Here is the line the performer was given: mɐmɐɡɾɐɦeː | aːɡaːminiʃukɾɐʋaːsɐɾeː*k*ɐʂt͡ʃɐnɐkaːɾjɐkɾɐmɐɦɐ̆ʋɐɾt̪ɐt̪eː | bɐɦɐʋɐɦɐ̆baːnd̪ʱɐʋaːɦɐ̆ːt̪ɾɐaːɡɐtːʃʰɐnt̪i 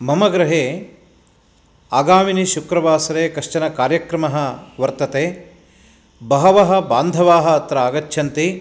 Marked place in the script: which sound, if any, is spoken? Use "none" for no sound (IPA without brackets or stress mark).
k